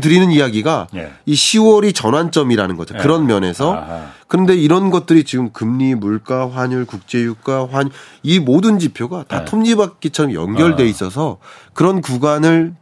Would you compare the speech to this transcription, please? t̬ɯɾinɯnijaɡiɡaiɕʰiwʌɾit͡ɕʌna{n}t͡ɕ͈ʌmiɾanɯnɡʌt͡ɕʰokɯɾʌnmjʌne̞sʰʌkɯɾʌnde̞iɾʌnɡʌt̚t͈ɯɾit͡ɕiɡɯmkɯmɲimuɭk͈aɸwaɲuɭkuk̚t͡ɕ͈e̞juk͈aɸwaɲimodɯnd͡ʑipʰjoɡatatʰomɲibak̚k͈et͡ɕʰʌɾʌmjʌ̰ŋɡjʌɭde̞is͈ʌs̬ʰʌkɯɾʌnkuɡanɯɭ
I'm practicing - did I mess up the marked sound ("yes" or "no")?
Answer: no